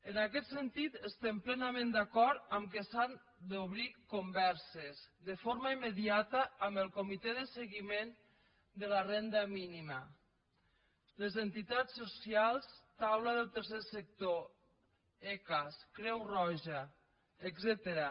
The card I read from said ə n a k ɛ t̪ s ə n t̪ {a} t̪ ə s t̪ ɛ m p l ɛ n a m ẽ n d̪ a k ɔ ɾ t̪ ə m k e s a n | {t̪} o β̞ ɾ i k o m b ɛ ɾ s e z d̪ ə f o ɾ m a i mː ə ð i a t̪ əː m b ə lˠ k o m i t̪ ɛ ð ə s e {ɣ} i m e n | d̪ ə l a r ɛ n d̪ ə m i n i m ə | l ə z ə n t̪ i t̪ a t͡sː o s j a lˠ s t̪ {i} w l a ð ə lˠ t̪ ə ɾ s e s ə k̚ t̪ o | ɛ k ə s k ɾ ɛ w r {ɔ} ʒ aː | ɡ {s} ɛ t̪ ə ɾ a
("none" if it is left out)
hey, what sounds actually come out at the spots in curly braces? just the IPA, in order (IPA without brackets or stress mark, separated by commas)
i, d̪, ɣ, a, ɔ, z